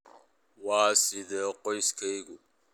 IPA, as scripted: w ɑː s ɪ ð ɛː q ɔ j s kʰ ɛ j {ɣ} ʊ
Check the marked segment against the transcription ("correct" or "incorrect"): correct